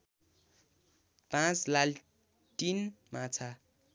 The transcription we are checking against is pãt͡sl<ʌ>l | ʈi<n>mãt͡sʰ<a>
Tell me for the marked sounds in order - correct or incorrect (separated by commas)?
incorrect, correct, correct